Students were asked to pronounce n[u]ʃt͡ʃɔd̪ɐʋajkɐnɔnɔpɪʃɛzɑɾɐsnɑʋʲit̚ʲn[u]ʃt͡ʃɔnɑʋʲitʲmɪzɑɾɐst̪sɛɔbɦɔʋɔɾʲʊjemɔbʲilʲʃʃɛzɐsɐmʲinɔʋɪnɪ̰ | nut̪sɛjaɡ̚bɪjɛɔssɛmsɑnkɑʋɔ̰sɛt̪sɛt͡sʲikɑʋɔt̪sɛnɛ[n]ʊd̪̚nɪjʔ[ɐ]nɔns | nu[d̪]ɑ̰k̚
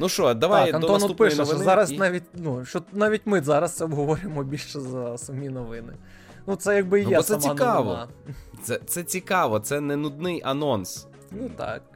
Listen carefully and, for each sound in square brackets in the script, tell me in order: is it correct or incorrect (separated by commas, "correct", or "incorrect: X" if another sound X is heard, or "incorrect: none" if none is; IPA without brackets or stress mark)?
correct, correct, correct, correct, incorrect: t̪